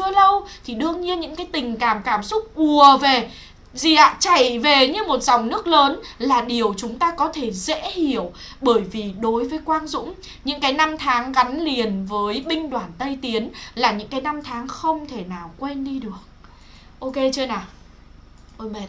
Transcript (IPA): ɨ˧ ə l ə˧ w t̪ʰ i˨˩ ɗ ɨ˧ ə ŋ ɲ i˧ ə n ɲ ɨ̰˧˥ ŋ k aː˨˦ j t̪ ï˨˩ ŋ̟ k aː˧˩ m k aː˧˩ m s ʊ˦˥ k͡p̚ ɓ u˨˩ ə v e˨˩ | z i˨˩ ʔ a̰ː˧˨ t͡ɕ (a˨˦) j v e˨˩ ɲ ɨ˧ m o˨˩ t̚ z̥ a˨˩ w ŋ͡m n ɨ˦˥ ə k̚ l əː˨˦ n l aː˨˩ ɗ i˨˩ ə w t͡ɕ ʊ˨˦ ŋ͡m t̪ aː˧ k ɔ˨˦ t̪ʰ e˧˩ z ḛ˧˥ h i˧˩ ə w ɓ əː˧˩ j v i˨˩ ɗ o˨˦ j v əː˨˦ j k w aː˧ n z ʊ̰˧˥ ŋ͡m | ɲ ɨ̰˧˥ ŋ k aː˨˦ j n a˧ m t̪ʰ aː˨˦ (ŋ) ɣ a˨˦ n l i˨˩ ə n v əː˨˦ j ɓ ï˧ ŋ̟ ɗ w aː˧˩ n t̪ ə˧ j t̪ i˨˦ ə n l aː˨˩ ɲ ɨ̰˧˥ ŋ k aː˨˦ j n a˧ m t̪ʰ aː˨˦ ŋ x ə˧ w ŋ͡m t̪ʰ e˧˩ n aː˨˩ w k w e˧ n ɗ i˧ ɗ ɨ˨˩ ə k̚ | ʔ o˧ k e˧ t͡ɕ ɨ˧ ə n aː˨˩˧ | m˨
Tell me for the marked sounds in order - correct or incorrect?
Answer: incorrect, correct

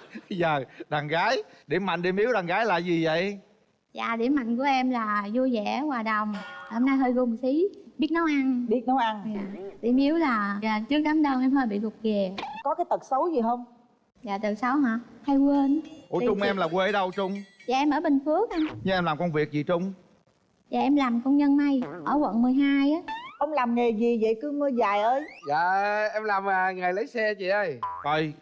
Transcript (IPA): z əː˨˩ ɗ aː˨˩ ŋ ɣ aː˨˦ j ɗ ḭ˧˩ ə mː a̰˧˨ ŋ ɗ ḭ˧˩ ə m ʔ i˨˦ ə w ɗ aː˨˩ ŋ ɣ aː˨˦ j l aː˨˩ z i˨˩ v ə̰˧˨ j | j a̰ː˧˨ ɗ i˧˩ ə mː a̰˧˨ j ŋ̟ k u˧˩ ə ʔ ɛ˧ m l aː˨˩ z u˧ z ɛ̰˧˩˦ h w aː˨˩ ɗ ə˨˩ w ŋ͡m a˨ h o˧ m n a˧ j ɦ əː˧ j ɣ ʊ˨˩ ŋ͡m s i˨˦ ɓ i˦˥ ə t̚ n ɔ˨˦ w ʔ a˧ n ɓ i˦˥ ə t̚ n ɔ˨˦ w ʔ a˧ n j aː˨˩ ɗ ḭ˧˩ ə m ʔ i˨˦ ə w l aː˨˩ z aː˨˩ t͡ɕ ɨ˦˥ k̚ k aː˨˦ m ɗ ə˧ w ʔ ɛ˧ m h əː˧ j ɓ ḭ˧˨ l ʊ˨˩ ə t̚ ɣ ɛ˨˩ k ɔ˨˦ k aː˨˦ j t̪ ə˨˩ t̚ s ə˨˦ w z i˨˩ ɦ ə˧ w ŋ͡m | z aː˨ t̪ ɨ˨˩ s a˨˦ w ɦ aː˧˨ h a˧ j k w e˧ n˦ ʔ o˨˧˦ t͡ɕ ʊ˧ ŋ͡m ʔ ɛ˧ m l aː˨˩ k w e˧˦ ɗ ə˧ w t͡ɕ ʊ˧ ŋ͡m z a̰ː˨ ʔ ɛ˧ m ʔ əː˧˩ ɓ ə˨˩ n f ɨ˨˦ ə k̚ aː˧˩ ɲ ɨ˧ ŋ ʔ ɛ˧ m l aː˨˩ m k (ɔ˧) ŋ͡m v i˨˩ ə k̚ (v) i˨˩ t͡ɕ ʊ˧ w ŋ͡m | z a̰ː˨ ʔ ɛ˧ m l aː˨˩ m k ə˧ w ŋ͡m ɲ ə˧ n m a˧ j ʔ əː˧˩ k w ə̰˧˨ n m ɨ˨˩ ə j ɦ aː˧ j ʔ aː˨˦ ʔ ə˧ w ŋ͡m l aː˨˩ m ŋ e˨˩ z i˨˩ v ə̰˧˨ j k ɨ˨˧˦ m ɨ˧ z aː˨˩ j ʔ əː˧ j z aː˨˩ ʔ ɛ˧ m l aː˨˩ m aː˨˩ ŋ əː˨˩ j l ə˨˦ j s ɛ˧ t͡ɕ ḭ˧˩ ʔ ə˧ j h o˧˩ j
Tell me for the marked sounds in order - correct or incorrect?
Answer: correct, incorrect

